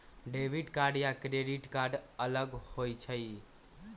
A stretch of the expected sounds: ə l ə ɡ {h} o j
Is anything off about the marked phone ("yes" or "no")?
no